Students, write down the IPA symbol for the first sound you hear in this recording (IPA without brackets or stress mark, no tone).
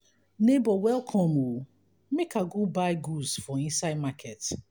n